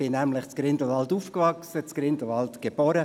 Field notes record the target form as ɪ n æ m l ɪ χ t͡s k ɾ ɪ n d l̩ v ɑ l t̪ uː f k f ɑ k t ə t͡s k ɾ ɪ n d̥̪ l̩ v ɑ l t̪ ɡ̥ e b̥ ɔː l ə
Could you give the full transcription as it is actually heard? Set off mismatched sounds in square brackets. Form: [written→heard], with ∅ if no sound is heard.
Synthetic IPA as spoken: ɪ n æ m l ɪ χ t͡s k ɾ ɪ n d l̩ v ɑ l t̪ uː f k [f→v] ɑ k [t→s] ə t͡s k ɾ ɪ n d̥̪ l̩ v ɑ l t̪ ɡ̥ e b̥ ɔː [l→ɾ] ə